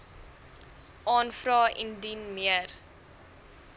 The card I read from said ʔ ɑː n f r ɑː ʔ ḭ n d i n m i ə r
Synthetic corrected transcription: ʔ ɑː n f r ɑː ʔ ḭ n d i n m i ə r